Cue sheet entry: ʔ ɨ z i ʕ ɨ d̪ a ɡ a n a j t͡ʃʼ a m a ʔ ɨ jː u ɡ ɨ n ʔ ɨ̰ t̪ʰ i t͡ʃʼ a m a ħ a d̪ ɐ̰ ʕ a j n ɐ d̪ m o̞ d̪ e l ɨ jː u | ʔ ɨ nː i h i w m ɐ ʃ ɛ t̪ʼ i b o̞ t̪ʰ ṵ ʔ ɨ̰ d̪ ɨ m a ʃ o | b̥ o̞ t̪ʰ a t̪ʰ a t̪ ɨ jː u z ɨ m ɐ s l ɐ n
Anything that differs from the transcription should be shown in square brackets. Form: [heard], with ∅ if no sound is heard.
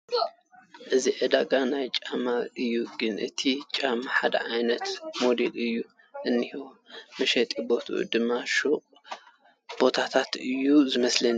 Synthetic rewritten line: ʔ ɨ z i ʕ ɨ d̪ a ɡ a n a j t͡ʃʼ a m a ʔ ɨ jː u ɡ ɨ n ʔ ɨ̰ t̪ʰ i t͡ʃʼ a m a ħ a d̪ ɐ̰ ʕ a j n ɐ [t̪] m o̞ d̪ e l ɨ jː u | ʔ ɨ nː i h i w m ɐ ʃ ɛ t̪ʼ i b o̞ t̪ʰ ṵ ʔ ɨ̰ d̪ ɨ m a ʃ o | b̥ o̞ t̪ʰ a t̪ʰ a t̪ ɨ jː u z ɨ m ɐ s l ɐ n